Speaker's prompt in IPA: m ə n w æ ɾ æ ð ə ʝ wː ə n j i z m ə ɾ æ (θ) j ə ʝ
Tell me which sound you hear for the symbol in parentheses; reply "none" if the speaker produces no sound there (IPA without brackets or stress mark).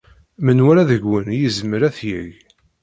θ